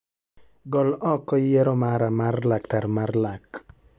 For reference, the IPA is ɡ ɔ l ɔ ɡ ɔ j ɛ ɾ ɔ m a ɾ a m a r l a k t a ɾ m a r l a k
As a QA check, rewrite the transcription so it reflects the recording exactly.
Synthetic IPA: ɡ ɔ l ɔ k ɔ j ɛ ɾ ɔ m a ɾ a m a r l a k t a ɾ m a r l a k